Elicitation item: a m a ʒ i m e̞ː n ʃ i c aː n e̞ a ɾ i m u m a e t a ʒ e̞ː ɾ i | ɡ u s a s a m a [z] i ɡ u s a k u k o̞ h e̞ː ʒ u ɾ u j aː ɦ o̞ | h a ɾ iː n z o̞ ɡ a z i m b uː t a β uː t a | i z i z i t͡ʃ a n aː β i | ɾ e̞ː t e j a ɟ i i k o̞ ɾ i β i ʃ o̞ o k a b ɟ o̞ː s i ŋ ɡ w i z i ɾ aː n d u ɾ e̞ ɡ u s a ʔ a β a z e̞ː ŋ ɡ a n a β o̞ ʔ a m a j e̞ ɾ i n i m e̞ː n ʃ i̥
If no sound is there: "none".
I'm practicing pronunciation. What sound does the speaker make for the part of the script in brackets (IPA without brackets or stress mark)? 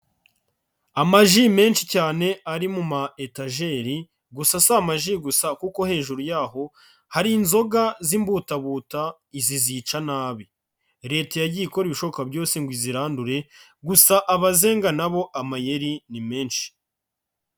ʒ